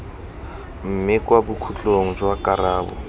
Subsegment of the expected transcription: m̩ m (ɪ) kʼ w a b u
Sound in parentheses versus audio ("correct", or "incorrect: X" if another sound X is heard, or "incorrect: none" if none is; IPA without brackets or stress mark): correct